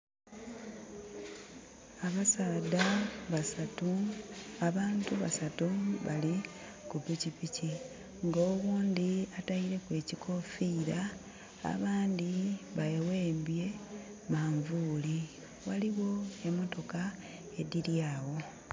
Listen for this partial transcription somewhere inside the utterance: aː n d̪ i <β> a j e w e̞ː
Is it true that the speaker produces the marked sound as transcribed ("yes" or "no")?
yes